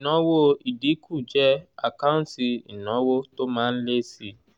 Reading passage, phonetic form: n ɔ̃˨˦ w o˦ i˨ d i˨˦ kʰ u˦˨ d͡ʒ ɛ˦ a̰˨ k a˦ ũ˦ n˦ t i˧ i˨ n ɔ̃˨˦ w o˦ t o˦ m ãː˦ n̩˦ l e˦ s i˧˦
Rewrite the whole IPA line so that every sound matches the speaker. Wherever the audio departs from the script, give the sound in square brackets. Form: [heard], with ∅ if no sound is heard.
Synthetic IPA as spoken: n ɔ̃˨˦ w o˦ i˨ d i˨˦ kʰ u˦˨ d͡ʒ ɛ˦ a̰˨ k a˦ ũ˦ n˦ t i˧ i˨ n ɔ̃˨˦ w o˦ t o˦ m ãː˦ n̩˦ l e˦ s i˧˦